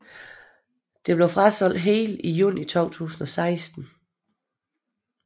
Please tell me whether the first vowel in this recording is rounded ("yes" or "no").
no